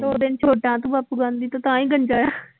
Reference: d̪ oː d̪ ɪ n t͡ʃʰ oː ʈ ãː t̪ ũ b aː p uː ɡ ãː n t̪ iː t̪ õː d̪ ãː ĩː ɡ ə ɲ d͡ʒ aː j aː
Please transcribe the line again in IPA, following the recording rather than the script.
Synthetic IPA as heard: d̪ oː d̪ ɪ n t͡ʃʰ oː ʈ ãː t̪ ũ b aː p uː ɡ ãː n d̪ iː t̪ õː t̪ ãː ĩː ɡ ə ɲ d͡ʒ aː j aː